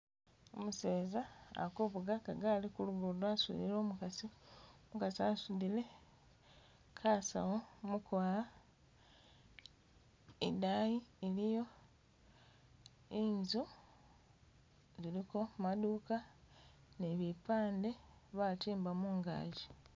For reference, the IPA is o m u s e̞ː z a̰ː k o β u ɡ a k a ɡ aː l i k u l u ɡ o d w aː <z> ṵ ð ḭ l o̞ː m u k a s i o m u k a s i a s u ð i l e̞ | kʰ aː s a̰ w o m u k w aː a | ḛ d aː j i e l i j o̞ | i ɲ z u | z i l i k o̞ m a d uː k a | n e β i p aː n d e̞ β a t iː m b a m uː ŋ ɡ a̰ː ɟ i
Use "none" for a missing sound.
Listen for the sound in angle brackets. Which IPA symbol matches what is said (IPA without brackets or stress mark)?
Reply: s